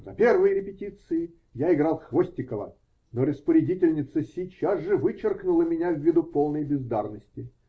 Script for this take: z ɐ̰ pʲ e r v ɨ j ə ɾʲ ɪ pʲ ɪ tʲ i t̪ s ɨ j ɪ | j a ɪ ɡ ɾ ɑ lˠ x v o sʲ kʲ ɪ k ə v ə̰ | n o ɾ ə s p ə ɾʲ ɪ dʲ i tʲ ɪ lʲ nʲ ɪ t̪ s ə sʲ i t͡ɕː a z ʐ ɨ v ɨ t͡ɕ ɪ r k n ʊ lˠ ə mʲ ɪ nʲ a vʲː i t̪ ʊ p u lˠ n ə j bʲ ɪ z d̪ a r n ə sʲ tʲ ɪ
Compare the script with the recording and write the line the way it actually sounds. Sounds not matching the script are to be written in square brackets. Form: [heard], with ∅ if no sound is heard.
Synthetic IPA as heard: z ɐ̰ pʲ e r v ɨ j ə ɾʲ ɪ pʲ ɪ tʲ i t̪ s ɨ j ɪ | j a ɪ ɡ ɾ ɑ lˠ x v o sʲ [tʲ] ɪ k ə v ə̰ | n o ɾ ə s p ə ɾʲ ɪ dʲ i tʲ ɪ lʲ nʲ ɪ t̪ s ə sʲ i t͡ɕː a z ʐ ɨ v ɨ t͡ɕ ɪ r k n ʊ lˠ ə mʲ ɪ nʲ a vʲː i [d̪] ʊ p [o] lˠ n ə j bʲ ɪ z d̪ a r n ə sʲ tʲ ɪ